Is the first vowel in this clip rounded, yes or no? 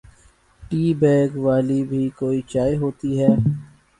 no